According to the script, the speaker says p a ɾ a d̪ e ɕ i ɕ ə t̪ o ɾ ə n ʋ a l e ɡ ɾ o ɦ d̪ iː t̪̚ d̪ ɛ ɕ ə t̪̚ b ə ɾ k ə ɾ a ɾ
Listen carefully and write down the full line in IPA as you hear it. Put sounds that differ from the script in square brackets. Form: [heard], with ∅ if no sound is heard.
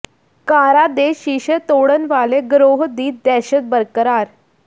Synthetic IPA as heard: [k] a ɾ a d̪ e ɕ i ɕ ə t̪ o [ɽ] ə n ʋ a l e ɡ ɾ o ɦ d̪ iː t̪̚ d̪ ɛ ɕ ə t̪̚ b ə ɾ k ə ɾ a ɾ